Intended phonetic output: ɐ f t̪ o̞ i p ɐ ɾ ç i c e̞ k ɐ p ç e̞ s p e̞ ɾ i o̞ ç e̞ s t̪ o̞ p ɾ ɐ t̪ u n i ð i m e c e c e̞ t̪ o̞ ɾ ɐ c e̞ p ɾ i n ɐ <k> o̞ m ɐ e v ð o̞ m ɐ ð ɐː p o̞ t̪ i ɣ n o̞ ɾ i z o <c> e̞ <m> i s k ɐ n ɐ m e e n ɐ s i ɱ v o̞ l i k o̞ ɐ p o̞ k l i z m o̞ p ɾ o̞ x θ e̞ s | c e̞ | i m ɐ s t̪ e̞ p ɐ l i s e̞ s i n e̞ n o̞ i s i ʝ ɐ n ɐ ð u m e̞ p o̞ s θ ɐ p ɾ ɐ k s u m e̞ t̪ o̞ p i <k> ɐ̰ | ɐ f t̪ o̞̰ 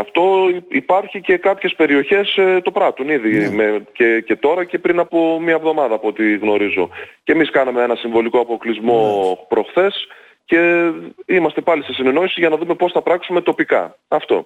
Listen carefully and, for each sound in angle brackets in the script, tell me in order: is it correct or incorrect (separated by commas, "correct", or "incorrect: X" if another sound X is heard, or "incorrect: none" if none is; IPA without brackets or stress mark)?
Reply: incorrect: p, correct, correct, correct